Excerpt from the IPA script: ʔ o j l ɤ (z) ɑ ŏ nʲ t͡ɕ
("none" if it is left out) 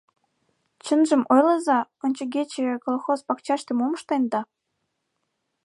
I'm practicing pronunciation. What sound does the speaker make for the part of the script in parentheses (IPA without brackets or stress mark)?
z